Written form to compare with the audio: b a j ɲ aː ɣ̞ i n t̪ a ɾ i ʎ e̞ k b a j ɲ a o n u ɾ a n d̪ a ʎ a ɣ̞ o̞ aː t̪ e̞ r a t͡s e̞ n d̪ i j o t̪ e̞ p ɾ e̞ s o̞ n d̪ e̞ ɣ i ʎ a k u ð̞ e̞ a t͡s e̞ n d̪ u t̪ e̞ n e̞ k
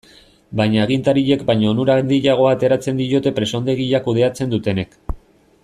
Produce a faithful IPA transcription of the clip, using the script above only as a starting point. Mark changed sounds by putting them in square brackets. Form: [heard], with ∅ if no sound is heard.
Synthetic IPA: b a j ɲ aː ɣ̞ i n t̪ a ɾ i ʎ e̞ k b a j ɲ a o n u ɾ a n d̪ [i] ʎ a ɣ̞ o̞ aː t̪ e̞ [ɾ] a t͡s e̞ n d̪ i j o t̪ e̞ p ɾ e̞ s o̞ n d̪ e̞ ɣ i ʎ a k u ð̞ e̞ a t͡s e̞ n d̪ u t̪ e̞ n e̞ k